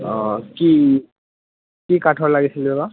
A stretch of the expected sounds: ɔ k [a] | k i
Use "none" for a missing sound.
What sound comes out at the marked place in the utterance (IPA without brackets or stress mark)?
i